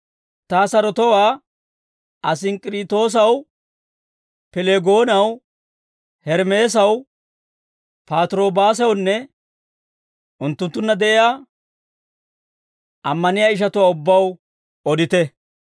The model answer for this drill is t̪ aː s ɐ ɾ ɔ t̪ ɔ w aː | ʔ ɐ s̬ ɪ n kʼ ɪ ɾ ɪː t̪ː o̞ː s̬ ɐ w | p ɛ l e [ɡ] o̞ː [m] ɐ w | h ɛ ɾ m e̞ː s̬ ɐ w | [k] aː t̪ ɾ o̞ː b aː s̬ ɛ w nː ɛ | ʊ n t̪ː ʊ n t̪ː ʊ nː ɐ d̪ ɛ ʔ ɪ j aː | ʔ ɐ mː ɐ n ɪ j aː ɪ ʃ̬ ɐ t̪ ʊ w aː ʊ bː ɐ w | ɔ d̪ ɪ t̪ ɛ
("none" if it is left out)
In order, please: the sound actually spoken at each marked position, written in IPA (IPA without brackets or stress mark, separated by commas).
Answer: ɡ, n, p